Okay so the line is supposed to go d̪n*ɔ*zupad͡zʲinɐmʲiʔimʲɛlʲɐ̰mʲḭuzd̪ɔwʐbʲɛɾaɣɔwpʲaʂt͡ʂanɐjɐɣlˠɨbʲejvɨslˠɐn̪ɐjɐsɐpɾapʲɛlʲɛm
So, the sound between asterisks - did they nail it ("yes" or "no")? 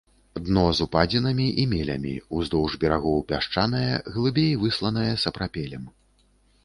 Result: yes